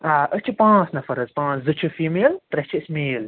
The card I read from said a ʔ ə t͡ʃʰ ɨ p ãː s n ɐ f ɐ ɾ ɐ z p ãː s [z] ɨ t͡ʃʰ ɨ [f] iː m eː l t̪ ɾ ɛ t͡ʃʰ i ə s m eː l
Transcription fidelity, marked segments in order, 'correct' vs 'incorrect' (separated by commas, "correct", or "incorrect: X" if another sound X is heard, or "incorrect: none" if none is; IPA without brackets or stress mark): correct, correct